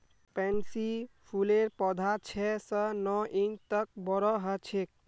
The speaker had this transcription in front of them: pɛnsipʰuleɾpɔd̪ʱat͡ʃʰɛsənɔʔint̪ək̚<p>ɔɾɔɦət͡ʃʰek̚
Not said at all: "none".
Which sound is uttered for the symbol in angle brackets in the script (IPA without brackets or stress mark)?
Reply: b